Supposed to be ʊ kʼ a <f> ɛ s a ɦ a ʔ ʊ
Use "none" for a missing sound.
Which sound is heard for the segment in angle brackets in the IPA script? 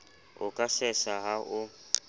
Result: s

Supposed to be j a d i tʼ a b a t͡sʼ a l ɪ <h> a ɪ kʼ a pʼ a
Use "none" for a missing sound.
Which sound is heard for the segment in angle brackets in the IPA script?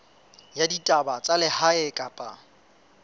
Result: h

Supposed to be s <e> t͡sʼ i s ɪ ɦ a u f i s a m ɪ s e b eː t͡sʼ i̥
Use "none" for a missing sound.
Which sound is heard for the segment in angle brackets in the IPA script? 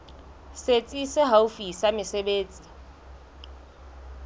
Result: e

